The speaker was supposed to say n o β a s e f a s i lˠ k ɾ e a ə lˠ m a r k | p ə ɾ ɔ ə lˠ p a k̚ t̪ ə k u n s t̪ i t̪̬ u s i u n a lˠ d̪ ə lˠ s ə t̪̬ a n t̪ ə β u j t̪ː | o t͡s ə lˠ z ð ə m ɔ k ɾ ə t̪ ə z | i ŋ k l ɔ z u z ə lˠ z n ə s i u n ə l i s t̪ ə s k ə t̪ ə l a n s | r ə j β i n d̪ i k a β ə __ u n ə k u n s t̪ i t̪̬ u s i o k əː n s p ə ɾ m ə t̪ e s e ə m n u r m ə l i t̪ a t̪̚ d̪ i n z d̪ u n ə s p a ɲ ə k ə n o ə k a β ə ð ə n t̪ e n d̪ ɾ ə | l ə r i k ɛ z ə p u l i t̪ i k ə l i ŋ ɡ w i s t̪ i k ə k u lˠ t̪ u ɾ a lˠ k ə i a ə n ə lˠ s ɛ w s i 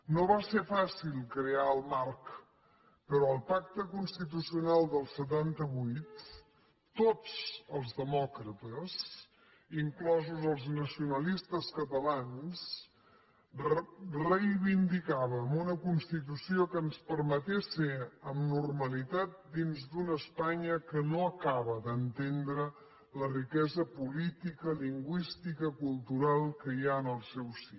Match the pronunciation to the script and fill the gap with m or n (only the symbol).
m